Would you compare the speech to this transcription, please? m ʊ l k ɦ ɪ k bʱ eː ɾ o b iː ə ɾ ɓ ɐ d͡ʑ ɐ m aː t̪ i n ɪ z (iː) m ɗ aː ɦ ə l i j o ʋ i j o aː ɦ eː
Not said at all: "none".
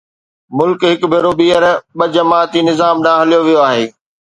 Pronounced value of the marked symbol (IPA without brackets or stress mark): aː